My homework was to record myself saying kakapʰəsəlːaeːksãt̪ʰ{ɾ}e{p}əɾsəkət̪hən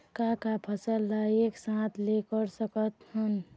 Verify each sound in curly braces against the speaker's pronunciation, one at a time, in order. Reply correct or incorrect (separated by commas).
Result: incorrect, incorrect